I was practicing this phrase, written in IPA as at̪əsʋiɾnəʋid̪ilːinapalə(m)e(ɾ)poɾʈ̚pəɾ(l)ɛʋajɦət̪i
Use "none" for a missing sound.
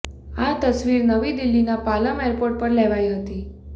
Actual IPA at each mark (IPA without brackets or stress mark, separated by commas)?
m, ɾ, l